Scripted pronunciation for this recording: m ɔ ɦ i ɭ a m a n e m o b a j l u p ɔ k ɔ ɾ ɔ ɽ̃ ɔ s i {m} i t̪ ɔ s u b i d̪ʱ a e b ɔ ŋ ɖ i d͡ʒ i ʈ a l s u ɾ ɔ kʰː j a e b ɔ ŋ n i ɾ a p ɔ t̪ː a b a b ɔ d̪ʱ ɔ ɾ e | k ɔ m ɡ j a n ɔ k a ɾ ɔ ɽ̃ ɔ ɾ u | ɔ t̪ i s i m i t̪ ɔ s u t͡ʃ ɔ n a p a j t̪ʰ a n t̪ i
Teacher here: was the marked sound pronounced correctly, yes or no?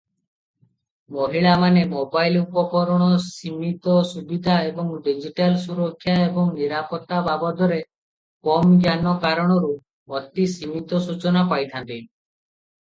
yes